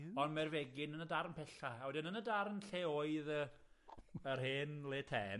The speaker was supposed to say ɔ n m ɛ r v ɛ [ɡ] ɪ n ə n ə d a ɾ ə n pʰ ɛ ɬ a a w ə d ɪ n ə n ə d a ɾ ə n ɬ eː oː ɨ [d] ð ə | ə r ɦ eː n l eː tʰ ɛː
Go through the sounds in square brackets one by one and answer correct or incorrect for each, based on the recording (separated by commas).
correct, incorrect